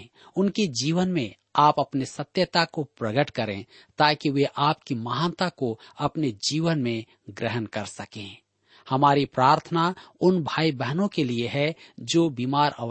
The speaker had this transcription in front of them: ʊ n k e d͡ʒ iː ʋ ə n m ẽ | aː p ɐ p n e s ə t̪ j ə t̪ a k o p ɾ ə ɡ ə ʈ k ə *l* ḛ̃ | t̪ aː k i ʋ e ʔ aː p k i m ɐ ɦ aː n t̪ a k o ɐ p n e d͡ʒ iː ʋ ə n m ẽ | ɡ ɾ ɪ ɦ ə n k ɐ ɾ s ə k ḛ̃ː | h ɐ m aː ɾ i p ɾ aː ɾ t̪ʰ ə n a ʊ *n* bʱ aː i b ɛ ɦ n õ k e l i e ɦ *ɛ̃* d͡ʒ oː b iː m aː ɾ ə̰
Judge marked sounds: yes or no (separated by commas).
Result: no, yes, no